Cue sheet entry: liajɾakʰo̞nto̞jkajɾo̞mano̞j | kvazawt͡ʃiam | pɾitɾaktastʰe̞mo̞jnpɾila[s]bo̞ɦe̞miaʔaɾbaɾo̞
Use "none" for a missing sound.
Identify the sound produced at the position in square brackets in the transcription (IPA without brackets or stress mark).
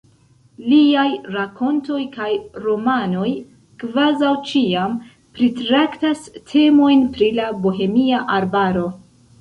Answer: none